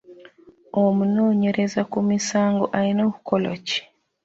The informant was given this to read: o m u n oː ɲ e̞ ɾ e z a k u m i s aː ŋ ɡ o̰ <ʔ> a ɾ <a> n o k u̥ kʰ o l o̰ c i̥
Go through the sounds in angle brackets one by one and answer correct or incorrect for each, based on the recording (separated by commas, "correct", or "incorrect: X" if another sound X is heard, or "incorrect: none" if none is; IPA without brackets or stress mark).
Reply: correct, incorrect: i